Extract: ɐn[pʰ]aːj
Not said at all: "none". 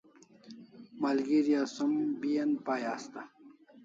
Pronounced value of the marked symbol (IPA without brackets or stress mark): p